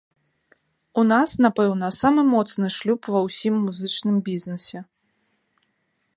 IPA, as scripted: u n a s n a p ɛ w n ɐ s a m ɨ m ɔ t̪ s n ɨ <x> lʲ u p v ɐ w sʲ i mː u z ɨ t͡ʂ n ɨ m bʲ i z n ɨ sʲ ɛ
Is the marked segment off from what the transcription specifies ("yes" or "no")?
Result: yes